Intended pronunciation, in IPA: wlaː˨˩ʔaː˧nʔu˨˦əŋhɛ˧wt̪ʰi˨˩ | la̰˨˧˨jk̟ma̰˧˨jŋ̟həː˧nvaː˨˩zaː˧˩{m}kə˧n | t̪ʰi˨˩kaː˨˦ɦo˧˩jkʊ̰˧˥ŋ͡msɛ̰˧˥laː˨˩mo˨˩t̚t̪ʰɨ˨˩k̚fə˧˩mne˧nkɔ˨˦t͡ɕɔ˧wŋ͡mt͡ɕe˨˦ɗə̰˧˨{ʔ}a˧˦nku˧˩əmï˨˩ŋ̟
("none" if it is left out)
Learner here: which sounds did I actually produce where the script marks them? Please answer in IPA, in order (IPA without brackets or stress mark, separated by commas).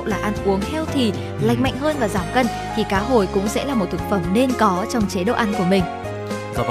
m, ʔ